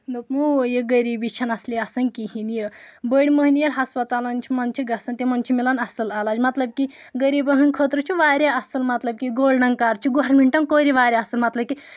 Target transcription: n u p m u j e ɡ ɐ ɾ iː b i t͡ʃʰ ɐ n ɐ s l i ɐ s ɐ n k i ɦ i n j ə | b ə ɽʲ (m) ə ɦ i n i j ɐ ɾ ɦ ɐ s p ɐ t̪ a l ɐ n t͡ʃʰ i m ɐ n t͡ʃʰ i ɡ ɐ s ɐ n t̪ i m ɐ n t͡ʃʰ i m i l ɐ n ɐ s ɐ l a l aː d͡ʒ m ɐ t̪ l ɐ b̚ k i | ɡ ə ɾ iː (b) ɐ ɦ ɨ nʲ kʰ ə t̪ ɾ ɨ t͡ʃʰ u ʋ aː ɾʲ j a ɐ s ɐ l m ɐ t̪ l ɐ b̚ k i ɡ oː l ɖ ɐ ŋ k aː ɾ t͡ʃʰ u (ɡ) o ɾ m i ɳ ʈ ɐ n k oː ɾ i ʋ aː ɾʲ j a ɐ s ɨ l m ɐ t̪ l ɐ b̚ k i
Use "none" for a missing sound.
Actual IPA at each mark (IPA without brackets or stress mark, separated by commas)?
m, b, ɡ